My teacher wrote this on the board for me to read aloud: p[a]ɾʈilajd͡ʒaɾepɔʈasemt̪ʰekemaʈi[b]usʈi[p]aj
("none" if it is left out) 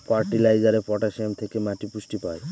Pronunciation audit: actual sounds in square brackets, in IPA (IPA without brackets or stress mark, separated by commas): a, p, p